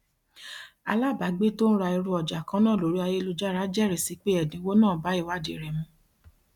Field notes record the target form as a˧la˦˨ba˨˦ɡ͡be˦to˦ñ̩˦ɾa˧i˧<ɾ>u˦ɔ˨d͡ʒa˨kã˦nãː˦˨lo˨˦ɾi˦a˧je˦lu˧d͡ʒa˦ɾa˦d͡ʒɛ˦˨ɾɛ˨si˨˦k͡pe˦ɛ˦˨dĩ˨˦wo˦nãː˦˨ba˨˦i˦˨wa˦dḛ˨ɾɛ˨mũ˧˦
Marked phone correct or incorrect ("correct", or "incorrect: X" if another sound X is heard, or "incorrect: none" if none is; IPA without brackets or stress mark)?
correct